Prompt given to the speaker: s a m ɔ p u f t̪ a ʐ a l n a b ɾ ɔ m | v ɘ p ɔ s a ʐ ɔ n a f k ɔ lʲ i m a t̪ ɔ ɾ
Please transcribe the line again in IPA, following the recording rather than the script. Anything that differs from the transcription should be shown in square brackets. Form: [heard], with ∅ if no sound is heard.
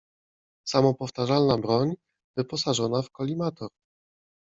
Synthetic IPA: s a m ɔ p [ɔ] f t̪ a ʐ a l n a b ɾ ɔ [ɲ] | v ɘ p ɔ s a ʐ ɔ n a f k ɔ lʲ i m a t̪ ɔ ɾ